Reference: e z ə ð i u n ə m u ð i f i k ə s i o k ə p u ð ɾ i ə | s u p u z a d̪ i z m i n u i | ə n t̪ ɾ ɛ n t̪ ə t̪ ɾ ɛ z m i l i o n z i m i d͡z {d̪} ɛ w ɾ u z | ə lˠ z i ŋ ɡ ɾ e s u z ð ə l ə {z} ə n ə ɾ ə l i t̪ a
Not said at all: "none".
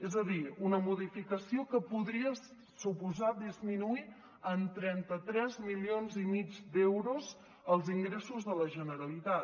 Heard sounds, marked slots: d̪, ʒ

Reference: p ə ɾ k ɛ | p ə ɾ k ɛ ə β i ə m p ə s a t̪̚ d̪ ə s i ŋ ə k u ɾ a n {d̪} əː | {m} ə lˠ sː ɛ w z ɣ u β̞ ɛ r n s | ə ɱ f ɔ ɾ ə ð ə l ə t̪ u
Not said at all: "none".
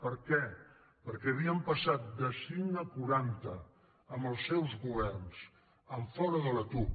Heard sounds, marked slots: t̪, m

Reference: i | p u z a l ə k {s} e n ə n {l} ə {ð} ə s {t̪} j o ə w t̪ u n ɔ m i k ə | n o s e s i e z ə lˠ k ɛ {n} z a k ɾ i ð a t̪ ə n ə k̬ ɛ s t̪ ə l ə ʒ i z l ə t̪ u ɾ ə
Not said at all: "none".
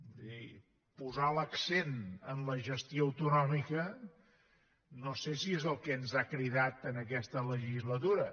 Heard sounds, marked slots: s, l, ʒ, t̪, n

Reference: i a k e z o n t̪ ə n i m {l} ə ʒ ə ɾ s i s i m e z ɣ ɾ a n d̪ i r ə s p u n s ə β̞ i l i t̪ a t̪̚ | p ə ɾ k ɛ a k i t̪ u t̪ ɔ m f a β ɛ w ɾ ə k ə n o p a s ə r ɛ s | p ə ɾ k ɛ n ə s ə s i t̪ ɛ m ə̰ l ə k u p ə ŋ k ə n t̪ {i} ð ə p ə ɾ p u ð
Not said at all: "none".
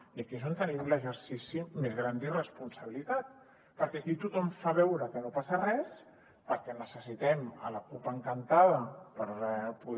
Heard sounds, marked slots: l, a

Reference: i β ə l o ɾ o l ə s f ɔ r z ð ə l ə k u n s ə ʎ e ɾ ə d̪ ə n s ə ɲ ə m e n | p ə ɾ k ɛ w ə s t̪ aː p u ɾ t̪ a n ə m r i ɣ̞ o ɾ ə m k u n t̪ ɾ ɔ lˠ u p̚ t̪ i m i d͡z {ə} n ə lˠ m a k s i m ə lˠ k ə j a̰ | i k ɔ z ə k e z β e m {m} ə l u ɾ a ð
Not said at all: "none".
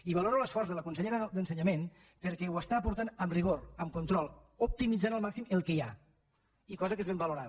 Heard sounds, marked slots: a, b

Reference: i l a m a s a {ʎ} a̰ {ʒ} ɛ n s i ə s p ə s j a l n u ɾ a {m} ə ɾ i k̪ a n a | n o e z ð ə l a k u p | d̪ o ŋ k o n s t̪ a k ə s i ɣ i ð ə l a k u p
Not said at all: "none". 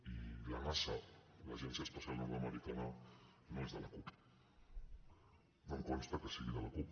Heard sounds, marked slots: l, ʒ, m

